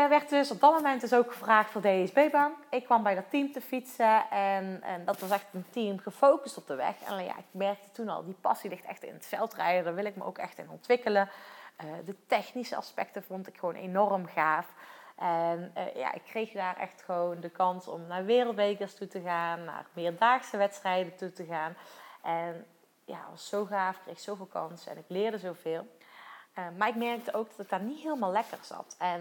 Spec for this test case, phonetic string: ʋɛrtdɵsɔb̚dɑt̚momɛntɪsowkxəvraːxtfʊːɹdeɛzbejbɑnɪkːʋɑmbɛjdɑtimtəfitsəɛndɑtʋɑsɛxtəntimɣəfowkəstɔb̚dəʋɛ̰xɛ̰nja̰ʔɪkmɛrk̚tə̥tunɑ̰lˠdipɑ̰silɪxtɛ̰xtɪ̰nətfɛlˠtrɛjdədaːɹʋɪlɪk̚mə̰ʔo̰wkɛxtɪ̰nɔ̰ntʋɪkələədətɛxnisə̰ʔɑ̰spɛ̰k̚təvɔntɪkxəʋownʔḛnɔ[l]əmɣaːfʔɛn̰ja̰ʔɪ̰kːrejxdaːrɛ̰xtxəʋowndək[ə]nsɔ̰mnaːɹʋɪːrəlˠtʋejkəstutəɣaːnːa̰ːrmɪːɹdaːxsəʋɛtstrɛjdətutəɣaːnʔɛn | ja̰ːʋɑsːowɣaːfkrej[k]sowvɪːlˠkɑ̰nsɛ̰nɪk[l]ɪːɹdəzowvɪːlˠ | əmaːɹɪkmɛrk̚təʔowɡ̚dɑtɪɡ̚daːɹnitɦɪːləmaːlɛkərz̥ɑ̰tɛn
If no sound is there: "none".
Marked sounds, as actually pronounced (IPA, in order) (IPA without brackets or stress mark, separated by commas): r, ɑ, x, l